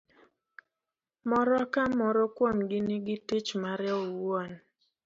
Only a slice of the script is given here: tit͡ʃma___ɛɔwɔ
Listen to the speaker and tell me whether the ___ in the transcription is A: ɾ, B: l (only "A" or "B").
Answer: A